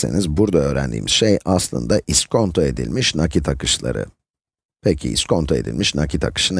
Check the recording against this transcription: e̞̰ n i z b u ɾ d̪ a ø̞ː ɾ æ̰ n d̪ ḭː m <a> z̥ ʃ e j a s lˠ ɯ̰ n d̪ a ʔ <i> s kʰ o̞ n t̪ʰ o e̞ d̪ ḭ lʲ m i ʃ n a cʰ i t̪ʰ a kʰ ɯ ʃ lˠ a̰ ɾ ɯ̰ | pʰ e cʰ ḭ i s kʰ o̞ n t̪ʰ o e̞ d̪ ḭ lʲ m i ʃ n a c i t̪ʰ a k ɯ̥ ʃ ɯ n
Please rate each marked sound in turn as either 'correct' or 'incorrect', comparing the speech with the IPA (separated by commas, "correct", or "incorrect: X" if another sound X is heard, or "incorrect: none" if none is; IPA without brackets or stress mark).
incorrect: i, correct